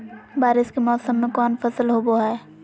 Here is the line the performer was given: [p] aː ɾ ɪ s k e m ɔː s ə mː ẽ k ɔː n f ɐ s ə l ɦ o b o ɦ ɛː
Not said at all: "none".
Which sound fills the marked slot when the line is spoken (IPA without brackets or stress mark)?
b